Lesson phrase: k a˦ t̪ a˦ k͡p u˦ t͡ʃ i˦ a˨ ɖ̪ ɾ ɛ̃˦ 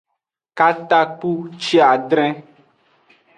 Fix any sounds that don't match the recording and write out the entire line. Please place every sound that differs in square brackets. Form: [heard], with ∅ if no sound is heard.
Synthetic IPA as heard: k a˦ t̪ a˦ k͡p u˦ t͡ʃ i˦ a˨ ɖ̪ ɾ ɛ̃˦